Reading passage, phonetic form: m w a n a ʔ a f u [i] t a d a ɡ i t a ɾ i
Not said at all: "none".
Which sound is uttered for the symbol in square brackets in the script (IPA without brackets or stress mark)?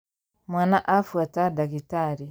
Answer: a